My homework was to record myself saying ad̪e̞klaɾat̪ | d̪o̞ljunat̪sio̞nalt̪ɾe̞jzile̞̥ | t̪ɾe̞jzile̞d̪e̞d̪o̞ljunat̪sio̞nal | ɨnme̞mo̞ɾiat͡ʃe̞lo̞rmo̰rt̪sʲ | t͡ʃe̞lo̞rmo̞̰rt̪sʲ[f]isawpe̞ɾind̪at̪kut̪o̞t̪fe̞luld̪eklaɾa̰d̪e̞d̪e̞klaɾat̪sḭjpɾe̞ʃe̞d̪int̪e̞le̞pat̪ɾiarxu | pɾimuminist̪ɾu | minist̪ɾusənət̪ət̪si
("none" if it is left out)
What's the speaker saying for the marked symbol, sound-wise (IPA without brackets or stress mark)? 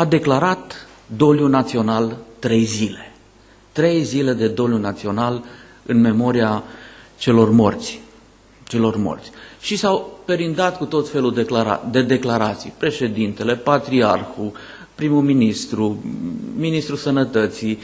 ʃ